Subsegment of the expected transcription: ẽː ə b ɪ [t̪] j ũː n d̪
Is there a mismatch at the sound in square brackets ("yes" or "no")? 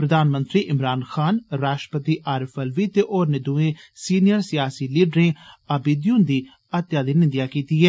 yes